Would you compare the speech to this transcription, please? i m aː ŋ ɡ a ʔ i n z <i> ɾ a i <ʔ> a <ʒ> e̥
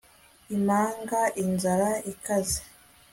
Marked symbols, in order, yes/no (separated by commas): no, no, no